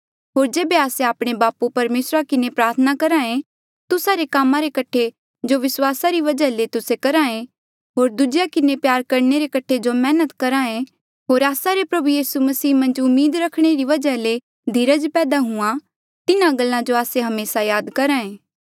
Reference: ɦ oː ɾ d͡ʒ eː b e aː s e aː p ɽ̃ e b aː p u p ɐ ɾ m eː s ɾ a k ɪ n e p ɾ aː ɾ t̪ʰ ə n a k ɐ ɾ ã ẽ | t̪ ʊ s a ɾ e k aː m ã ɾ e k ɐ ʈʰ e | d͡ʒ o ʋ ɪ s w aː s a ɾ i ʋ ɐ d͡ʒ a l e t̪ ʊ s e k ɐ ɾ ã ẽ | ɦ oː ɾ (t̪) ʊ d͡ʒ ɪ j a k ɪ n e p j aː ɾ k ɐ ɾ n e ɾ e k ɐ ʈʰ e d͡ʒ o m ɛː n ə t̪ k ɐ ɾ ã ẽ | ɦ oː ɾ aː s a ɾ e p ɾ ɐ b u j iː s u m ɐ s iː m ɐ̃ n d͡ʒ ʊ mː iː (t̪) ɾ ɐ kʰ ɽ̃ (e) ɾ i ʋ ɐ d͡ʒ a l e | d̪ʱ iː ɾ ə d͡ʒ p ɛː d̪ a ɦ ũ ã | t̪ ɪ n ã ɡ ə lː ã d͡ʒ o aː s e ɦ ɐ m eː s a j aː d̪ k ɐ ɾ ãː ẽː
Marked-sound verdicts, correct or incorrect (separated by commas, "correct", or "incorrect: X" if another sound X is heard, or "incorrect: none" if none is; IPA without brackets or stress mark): incorrect: d̪, incorrect: d̪, correct